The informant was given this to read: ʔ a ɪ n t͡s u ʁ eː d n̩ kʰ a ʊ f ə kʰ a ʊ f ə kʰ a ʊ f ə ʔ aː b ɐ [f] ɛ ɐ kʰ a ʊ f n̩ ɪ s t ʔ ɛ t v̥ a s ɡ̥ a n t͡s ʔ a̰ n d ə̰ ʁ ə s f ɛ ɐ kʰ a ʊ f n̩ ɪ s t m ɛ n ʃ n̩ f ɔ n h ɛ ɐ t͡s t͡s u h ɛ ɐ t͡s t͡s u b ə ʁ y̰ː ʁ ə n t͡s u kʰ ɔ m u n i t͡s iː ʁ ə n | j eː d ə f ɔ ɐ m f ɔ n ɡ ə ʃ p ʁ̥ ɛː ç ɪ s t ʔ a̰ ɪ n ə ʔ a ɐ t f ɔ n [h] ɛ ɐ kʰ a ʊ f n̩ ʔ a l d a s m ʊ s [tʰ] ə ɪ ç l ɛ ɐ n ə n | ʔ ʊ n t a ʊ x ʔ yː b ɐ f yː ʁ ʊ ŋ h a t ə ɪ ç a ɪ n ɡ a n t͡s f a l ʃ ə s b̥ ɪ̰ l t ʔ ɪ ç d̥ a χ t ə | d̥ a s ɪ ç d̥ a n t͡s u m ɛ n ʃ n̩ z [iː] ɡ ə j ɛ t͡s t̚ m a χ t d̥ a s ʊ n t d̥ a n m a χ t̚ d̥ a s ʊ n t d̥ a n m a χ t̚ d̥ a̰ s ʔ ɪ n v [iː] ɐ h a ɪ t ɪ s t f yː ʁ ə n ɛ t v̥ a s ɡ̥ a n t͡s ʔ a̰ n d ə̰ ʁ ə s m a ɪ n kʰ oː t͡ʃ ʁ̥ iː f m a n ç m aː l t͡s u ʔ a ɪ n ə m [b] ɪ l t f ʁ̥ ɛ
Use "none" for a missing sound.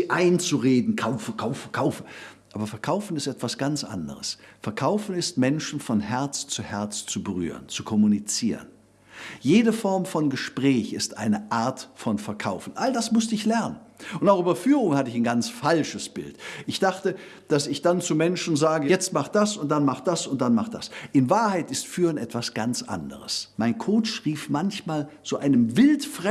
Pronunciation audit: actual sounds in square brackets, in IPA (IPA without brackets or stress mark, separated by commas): f, f, t, aː, aː, v